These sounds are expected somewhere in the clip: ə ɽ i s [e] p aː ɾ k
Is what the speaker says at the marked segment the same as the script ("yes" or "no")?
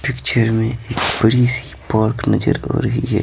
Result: no